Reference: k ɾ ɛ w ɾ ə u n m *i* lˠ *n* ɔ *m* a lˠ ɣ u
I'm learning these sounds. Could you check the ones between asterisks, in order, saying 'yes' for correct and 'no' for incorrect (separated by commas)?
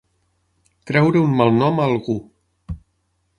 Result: no, yes, yes